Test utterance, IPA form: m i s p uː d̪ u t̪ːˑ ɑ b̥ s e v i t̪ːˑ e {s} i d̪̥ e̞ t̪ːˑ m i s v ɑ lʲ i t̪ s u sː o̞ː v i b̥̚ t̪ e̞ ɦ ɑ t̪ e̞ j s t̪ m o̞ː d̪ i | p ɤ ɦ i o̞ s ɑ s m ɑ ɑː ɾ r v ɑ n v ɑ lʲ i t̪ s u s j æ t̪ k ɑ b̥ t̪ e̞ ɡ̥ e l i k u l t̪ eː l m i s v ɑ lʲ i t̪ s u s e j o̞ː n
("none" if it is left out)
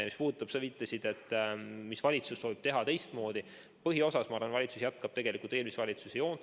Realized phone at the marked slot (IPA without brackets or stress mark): s